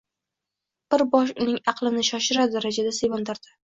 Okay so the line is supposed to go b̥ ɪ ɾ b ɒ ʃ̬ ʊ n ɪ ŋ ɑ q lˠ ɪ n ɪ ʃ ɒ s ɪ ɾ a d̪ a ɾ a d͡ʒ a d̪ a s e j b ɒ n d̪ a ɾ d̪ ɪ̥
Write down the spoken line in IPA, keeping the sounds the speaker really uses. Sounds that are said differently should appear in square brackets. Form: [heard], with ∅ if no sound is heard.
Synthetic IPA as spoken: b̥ ɪ ɾ b ɒ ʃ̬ ʊ n ɪ ŋ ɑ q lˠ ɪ n ɪ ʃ ɒ [ʃ] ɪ ɾ a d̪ a ɾ a d͡ʒ a d̪ a s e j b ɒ n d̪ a ɾ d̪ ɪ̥